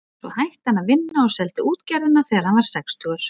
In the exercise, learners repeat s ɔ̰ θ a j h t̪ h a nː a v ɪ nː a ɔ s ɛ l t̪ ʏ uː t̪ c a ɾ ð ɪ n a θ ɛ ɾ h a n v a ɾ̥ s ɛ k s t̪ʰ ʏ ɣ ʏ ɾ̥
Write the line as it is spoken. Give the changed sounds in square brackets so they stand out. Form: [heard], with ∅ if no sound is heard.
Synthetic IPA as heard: s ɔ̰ [h] a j h t̪ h a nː a v ɪ nː a ɔ s ɛ l t̪ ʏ uː t̪ c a ɾ ð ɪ n a θ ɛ ɾ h a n v a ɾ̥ s ɛ k s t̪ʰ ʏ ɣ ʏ ɾ̥